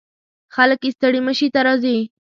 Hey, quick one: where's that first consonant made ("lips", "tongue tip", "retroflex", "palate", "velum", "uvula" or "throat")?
velum